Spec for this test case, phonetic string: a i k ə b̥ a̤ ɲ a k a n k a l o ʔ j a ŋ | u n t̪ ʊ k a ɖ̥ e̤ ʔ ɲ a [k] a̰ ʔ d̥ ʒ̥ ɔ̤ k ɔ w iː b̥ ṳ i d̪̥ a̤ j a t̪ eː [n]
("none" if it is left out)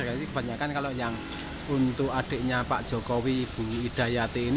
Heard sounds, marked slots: p, n

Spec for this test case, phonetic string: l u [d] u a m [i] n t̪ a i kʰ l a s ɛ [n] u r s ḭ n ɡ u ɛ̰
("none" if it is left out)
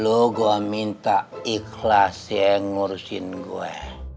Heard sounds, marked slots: ɡ, i, ŋ

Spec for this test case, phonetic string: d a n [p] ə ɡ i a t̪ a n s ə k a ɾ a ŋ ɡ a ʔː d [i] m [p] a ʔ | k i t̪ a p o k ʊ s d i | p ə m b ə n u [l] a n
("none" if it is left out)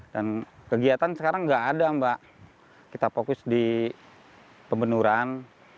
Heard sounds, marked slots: k, a, b, ɾ

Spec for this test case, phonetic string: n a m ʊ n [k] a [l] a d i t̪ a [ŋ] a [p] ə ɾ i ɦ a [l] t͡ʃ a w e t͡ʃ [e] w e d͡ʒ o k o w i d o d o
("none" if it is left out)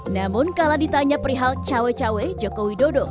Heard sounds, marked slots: k, l, ɲ, p, l, a

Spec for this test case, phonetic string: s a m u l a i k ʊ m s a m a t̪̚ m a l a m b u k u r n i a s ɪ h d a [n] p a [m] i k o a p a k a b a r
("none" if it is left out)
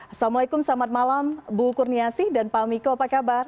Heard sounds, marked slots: n, m

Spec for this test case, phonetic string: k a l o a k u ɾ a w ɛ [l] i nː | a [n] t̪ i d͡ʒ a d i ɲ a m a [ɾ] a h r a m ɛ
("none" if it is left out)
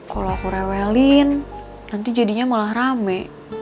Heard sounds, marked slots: l, n, l

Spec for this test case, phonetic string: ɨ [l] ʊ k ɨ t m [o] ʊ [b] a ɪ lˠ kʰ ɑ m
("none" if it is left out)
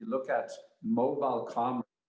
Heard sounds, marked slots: l, o, b

